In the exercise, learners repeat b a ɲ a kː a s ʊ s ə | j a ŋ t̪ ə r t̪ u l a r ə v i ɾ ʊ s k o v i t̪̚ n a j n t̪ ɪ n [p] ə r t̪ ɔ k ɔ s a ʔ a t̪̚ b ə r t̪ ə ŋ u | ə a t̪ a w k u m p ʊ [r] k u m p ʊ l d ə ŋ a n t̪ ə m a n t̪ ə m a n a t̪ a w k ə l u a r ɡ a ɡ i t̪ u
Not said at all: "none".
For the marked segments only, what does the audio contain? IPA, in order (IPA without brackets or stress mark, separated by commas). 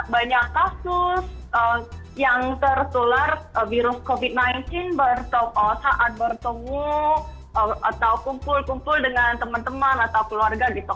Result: b, l